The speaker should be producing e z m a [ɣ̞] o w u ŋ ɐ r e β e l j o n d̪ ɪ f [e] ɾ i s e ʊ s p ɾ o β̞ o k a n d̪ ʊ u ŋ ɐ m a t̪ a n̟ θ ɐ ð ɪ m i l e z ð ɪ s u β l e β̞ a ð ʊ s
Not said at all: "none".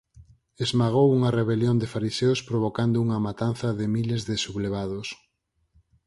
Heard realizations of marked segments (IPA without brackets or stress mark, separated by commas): ɣ̞, a